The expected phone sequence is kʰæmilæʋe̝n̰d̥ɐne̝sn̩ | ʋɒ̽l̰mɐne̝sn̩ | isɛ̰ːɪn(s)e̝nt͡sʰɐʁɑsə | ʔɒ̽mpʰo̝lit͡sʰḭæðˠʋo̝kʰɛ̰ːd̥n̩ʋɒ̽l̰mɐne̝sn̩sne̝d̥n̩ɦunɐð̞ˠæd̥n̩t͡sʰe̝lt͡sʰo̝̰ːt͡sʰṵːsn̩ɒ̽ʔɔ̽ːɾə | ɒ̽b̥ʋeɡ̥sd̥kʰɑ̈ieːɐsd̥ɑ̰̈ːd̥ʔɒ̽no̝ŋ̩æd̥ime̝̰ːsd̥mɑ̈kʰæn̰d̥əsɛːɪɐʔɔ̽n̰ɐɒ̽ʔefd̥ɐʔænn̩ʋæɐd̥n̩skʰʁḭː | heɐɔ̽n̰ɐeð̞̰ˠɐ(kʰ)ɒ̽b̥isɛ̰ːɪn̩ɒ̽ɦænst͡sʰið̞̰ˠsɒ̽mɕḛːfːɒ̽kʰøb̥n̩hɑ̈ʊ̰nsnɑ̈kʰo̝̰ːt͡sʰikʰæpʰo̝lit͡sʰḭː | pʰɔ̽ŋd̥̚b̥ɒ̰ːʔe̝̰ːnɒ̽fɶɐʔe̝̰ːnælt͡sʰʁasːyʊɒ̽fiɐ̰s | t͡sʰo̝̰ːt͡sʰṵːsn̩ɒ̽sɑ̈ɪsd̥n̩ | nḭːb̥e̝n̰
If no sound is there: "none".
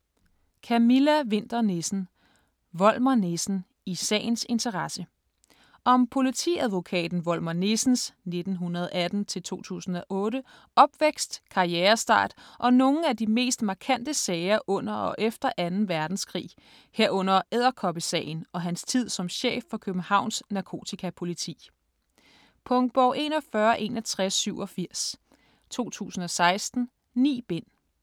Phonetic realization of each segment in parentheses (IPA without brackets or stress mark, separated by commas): s, kʰ